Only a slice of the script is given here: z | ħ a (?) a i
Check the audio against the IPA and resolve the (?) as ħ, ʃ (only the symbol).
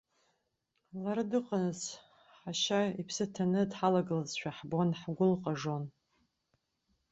ʃ